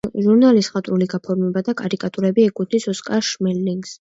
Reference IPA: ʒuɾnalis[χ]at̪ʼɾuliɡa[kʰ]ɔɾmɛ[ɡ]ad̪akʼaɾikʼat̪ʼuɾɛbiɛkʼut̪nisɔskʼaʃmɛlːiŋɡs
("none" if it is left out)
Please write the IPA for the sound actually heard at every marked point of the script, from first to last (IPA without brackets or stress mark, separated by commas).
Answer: χ, pʰ, b